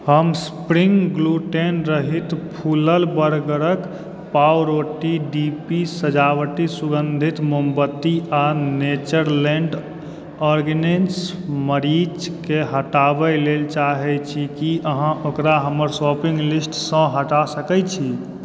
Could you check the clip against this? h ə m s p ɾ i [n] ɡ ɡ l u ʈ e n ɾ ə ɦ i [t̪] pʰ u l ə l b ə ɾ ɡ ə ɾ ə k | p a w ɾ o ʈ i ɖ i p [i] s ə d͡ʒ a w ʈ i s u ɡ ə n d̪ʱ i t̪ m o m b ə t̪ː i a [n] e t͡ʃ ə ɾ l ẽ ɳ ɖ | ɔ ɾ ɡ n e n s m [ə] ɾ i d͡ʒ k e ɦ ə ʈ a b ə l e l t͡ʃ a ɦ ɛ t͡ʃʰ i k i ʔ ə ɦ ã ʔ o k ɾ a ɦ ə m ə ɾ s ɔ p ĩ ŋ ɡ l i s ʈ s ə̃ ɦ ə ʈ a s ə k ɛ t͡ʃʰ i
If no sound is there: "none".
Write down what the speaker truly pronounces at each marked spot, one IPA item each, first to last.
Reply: ŋ, t̪, i, n, ə

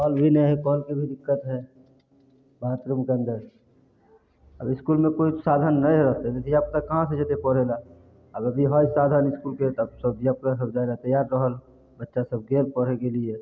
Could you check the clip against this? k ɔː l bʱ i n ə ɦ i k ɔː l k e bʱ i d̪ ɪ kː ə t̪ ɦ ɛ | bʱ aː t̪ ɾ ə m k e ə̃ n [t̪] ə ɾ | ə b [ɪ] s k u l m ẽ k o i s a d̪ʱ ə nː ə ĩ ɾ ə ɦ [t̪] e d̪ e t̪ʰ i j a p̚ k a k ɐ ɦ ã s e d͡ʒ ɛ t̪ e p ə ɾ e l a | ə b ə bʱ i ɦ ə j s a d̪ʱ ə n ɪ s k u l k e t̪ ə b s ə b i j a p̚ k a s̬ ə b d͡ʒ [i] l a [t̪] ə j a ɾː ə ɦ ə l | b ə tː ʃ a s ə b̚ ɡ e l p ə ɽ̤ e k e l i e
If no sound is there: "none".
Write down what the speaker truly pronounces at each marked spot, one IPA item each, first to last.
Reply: d̪, ɪ, t̪, a, t̪

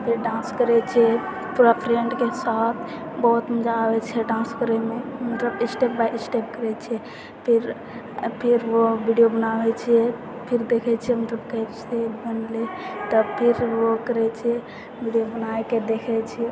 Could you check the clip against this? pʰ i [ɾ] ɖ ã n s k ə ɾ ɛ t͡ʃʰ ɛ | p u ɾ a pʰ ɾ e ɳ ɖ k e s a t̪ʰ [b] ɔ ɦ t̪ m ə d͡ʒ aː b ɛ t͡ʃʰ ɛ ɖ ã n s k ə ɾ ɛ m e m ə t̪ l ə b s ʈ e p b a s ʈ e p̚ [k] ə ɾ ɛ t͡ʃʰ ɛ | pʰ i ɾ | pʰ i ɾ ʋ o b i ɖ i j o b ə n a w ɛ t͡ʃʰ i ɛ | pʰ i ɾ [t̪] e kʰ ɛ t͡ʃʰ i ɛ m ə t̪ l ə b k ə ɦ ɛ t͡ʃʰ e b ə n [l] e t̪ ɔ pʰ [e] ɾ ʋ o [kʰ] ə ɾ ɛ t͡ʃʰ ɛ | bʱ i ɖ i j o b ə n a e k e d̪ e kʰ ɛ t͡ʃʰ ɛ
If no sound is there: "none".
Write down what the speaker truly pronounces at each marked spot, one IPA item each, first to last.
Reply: ɾ, b, k, d̪, l, i, k

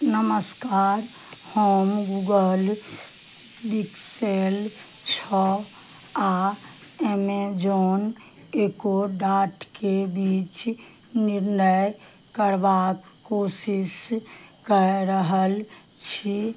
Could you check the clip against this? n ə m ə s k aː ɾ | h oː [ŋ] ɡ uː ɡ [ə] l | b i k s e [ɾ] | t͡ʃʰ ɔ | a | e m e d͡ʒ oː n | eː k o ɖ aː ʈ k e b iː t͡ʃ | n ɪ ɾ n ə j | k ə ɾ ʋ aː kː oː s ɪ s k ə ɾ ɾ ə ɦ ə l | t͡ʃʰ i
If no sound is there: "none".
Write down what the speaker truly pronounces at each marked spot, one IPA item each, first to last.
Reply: m, ə, l

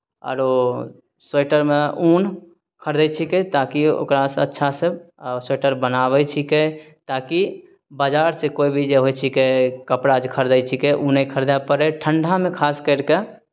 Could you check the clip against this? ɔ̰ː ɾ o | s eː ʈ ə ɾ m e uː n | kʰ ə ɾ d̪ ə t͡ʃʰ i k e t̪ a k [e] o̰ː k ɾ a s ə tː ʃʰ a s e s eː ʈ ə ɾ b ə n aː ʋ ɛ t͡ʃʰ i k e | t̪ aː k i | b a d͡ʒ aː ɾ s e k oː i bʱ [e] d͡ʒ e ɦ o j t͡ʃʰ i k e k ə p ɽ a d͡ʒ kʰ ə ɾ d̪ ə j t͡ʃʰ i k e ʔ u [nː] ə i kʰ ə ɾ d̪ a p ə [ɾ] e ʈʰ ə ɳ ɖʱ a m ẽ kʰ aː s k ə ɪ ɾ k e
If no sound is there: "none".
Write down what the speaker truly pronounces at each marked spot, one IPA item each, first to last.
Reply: i, i, n, ɾ

